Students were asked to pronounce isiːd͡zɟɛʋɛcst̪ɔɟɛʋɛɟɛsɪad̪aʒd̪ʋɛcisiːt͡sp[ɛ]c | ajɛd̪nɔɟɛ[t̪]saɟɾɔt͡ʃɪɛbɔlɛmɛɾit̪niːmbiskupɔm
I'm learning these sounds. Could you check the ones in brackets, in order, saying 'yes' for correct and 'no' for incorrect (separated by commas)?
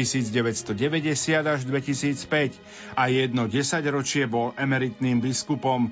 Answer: yes, no